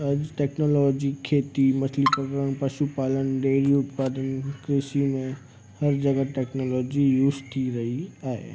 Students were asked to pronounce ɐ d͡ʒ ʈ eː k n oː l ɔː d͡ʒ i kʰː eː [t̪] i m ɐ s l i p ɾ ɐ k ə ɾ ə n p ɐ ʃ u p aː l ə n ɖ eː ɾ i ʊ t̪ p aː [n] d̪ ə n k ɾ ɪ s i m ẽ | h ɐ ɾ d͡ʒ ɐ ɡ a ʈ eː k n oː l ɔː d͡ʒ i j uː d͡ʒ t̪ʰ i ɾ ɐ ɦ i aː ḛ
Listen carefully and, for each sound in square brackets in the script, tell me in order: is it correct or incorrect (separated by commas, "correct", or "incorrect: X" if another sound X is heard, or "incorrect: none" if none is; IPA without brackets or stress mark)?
correct, incorrect: none